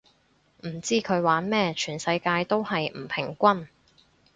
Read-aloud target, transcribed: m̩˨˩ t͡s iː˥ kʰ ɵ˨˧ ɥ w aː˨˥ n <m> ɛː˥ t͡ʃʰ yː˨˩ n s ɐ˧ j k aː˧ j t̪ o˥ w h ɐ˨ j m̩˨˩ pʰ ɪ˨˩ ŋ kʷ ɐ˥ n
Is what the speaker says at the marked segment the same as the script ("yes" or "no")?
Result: yes